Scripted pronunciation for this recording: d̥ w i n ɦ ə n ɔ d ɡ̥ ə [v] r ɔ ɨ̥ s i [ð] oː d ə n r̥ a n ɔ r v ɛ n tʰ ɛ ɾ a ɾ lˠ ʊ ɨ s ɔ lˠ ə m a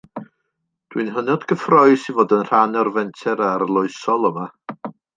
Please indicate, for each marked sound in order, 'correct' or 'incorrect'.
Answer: incorrect: f, incorrect: v

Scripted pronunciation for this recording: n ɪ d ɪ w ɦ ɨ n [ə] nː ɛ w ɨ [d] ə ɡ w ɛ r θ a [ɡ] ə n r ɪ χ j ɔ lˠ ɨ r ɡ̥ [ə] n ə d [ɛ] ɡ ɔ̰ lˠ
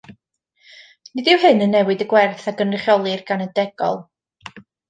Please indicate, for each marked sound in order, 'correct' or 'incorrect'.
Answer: correct, correct, correct, incorrect: a, correct

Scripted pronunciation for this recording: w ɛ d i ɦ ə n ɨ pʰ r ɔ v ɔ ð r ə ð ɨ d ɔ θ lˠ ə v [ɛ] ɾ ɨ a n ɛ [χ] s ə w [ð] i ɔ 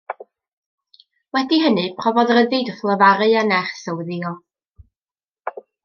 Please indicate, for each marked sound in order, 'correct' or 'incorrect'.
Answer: incorrect: a, correct, correct

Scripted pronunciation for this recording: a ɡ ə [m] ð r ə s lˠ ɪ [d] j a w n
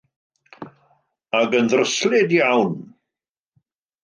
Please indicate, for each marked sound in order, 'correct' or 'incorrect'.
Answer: incorrect: n, correct

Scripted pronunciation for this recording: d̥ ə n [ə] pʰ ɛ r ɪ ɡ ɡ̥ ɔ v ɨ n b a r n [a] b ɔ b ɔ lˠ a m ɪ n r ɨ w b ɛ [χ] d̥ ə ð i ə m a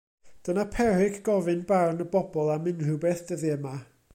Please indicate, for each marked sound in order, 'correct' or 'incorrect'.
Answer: incorrect: a, incorrect: ə, incorrect: θ

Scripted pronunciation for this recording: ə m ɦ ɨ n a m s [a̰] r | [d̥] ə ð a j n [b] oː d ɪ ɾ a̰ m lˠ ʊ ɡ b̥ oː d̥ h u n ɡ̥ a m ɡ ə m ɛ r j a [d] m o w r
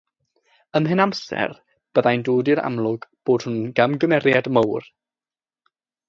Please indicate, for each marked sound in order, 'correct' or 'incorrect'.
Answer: incorrect: ɛ̰, incorrect: b̥, incorrect: d, correct

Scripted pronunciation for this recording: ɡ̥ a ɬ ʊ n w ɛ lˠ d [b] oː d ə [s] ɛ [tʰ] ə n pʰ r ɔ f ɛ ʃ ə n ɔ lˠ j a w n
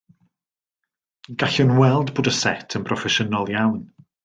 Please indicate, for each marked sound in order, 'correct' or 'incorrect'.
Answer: correct, correct, correct

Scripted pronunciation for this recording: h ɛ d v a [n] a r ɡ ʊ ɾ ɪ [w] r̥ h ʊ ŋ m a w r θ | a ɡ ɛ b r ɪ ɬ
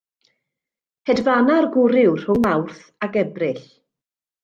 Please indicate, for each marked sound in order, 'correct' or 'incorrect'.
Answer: correct, correct

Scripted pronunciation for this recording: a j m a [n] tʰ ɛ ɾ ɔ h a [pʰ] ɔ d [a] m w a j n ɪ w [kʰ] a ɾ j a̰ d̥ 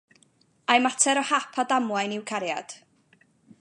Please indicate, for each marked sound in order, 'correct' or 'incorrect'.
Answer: incorrect: none, correct, correct, correct

